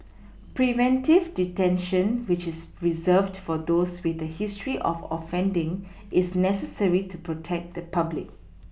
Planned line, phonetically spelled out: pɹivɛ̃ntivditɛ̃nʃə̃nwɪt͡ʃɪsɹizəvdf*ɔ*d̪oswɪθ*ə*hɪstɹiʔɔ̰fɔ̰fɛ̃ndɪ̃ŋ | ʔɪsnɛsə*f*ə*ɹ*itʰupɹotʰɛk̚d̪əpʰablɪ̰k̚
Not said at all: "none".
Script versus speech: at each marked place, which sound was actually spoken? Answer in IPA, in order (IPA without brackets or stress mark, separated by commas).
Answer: ɔ, ə, s, ɹ